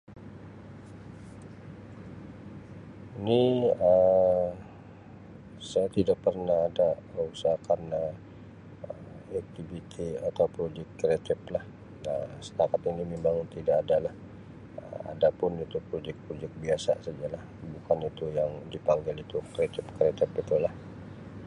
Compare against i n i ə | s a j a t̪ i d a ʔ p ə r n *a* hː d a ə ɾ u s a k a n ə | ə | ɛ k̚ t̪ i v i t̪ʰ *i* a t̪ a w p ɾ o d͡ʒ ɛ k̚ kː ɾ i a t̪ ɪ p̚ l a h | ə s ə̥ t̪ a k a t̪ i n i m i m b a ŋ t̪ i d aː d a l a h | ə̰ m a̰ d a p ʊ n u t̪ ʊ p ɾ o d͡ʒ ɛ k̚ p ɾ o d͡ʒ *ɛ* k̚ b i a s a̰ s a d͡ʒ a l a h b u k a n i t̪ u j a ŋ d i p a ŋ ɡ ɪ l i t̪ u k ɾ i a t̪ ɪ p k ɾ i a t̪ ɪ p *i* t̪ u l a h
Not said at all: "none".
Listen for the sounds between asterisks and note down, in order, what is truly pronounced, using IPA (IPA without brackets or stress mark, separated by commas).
a, i, ɛ, i